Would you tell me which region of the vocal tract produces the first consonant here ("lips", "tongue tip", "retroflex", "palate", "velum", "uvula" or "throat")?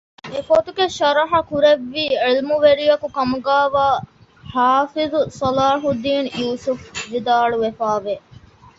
lips